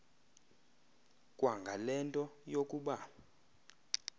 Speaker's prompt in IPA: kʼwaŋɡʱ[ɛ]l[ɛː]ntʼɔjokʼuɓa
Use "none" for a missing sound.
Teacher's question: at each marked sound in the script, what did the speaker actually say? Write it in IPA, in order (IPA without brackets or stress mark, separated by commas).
a, ɛ